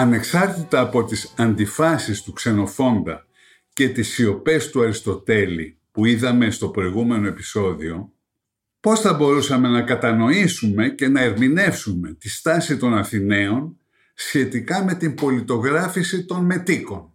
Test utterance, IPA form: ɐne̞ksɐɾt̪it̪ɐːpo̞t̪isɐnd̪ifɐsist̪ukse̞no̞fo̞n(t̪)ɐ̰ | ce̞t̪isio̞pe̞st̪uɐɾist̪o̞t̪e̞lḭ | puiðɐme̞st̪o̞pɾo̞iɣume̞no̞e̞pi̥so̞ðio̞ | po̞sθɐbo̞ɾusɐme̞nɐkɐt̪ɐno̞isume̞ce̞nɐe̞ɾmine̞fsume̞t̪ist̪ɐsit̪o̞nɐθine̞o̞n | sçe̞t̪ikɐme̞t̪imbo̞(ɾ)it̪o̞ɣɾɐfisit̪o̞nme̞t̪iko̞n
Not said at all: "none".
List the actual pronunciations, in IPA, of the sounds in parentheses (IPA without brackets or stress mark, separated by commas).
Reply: d̪, l